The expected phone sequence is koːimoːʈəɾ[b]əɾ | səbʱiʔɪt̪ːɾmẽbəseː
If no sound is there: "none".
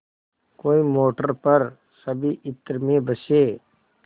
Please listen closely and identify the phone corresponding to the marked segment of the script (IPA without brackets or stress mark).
p